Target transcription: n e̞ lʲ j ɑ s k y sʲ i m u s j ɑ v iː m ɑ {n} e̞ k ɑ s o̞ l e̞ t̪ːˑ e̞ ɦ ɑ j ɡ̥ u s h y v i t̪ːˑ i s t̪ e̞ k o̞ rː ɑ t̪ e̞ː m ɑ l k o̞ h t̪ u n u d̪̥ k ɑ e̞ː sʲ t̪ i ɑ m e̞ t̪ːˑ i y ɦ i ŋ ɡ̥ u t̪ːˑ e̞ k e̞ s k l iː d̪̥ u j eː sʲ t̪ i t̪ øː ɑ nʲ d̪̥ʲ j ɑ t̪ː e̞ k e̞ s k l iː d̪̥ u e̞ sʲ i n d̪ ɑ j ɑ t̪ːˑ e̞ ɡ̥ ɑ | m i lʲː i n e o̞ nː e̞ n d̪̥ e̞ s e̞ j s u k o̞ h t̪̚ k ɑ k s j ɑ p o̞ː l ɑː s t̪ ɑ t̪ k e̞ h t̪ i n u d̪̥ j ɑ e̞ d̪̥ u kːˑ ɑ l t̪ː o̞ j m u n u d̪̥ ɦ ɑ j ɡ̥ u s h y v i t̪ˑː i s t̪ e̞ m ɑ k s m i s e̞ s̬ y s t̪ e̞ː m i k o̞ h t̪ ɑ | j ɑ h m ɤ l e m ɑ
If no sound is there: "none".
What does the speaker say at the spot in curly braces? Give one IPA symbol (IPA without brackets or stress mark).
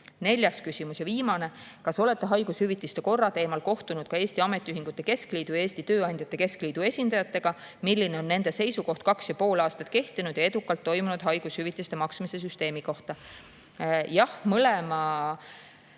n